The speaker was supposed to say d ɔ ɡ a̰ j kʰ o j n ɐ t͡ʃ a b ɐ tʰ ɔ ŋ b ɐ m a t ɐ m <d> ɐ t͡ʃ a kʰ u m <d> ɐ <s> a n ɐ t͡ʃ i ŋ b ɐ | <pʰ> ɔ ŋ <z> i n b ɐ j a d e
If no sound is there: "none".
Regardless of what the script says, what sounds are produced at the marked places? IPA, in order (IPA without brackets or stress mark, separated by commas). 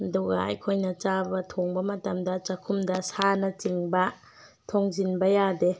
d, d, s, tʰ, z